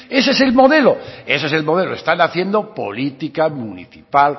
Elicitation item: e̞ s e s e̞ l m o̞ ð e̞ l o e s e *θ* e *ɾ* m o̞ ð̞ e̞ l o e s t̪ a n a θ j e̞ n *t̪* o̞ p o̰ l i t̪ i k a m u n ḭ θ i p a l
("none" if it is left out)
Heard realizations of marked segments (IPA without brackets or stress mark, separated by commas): s, l, d̪